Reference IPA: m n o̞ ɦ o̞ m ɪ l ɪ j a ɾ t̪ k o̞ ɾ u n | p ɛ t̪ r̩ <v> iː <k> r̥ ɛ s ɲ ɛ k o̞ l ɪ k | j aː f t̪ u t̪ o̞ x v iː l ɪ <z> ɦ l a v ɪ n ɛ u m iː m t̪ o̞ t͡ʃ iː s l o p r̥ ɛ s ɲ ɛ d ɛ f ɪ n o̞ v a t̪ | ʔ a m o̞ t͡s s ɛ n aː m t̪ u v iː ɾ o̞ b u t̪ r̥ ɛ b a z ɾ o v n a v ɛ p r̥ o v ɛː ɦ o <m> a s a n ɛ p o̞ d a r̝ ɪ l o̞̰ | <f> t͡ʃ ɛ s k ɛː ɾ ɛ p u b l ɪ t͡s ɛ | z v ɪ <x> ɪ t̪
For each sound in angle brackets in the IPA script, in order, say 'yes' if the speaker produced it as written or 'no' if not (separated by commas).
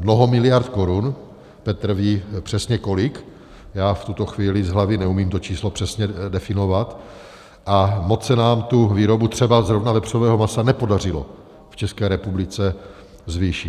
yes, no, yes, yes, yes, no